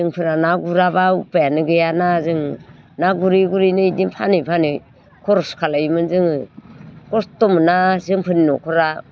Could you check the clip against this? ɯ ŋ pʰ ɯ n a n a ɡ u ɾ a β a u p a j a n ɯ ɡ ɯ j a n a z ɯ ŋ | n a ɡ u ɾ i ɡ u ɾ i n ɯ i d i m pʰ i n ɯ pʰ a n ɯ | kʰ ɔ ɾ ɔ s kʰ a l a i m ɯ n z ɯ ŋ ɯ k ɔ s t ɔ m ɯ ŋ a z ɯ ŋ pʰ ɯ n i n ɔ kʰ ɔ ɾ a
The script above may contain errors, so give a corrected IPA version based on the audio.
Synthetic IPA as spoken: ɯ ŋ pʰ ɯ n a n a ɡ u ɾ a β a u p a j a n ɯ ɡ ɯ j a n a z ɯ ŋ | n a ɡ u ɾ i ɡ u ɾ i n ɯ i d i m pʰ a n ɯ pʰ a n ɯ | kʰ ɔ ɾ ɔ s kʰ a l a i m ɯ n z ɯ ŋ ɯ k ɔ s t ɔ m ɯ n a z ɯ ŋ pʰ ɯ n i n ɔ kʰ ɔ ɾ a